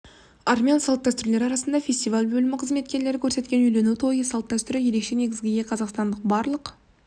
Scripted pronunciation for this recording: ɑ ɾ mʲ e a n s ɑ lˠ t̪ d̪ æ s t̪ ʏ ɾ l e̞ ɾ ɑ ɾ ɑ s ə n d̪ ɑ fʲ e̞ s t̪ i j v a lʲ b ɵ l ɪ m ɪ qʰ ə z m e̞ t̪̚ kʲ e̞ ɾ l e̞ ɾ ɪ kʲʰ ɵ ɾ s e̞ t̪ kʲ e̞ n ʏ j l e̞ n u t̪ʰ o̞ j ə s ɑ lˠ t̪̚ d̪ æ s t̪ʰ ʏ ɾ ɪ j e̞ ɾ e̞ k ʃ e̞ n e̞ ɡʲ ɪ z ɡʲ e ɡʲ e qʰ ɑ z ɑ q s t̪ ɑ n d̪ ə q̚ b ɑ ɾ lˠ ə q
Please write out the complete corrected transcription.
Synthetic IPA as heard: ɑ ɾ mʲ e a n s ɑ lˠ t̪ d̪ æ s t̪ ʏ ɾ l e̞ ɾ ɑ ɾ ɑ s ə n d̪ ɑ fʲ e̞ s t̪ i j v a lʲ b ɵ l ɪ m ɪ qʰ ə z m e̞ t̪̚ kʲ e̞ ɾ l e̞ ɾ ɪ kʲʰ ɵ ɾ s e̞ t̪ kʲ e̞ n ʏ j l e̞ n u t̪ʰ o̞ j ə s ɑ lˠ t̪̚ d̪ æ s t̪ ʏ ɾ ɪ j e̞ ɾ e̞ k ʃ e̞ n e̞ ɡʲ ɪ z ɡʲ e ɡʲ e qʰ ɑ z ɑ q s t̪ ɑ n d̪ ə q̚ b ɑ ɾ lˠ ə q